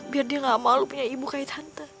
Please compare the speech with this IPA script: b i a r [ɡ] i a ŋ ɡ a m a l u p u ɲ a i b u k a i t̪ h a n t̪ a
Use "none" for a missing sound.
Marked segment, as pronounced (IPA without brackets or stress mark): d